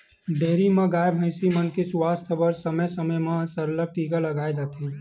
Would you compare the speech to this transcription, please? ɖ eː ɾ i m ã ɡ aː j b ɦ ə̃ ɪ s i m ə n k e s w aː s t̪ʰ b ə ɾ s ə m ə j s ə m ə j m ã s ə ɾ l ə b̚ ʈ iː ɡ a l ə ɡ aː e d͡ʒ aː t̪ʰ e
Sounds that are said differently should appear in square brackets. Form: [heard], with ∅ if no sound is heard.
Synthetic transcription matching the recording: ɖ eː ɾ i m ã ɡ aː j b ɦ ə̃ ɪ s i m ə n k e s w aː s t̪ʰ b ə ɾ s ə m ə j s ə m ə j m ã s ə ɾ l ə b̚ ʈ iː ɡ a l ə ɡ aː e d͡ʒ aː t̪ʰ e